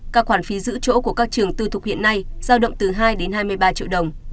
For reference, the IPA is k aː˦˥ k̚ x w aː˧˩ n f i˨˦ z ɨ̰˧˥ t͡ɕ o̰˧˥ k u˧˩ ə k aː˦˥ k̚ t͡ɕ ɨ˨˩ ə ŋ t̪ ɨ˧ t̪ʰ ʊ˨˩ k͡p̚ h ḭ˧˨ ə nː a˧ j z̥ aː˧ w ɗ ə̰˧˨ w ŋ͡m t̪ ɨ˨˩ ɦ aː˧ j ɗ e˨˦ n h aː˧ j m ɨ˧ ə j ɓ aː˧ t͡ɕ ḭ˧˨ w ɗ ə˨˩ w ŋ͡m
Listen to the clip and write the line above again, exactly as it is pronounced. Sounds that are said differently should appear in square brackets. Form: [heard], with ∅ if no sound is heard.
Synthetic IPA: k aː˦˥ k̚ x w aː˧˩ n f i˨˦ z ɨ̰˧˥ t͡ɕ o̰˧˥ k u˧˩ ə k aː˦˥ k̚ t͡ɕ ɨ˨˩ ə ŋ t̪ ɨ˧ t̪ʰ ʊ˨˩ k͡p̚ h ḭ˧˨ ə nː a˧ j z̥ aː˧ w ɗ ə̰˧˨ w ŋ͡m t̪ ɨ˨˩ ɦ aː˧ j ɗ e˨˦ n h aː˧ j m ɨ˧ ə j ɓ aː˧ t͡ɕ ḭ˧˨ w ɗ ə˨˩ w ŋ͡m